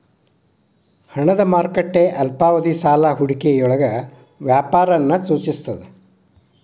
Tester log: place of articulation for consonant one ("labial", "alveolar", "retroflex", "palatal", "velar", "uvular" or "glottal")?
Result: glottal